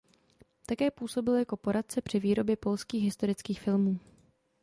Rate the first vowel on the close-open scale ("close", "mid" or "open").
open